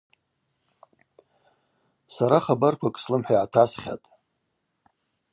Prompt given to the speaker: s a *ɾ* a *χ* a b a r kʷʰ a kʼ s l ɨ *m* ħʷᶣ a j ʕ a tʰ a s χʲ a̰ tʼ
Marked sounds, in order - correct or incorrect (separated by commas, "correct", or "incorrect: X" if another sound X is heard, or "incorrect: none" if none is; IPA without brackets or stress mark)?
correct, correct, correct